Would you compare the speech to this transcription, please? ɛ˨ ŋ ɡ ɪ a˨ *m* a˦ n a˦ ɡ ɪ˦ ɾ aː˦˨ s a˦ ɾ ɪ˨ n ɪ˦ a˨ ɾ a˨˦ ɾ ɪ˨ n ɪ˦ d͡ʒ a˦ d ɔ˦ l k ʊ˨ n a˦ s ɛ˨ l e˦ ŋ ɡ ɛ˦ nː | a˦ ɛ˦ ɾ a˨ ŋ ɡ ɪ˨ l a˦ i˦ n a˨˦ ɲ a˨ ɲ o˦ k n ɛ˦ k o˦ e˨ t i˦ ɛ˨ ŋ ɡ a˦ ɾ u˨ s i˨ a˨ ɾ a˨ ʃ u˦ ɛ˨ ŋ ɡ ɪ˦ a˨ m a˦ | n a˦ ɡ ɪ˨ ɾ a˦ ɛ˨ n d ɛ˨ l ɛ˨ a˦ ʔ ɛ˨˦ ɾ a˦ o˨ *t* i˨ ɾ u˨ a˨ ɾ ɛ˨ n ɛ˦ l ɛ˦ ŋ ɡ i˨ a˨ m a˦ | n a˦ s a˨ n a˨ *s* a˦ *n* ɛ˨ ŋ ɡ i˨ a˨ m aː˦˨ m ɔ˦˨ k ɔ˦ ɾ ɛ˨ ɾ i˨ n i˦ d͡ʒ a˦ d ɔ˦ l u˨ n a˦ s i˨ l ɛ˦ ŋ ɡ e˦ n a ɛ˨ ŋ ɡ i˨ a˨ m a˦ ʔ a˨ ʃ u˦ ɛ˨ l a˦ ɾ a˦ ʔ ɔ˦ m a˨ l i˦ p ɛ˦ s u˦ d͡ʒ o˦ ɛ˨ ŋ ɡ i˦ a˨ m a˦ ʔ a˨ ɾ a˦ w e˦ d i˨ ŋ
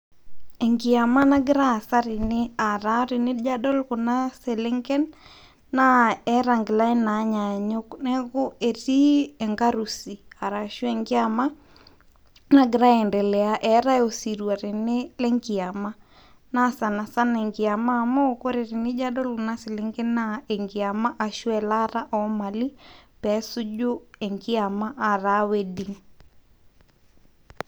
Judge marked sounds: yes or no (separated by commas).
yes, no, yes, yes